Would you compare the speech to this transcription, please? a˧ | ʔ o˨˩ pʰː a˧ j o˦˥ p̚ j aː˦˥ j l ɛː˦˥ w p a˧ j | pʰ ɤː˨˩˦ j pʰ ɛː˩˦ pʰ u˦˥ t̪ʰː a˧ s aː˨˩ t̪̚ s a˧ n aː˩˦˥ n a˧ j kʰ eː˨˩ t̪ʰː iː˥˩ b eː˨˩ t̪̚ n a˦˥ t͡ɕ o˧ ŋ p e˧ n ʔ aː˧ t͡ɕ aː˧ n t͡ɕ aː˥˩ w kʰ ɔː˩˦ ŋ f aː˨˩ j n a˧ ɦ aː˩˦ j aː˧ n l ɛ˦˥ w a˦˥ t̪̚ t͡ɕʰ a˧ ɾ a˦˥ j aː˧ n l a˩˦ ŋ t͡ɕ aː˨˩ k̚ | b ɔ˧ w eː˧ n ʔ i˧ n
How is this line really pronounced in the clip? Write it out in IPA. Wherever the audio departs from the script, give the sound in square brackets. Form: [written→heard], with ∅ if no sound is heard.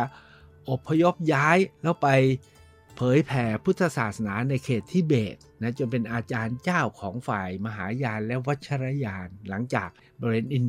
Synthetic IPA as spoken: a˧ | ʔ o˨˩ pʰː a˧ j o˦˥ p̚ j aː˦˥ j l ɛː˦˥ w p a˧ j | pʰ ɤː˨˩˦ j pʰ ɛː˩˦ pʰ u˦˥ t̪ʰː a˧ s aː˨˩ t̪̚ s a˧ n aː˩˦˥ n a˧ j kʰ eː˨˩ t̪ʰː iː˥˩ b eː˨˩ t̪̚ n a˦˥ t͡ɕ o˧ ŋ p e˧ n ʔ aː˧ t͡ɕ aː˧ n t͡ɕ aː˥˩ w kʰ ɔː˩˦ ŋ f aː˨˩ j [n→m] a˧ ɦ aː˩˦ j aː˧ n l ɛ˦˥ w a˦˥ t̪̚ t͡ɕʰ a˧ ɾ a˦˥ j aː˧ n l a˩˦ ŋ t͡ɕ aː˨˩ k̚ | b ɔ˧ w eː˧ n ʔ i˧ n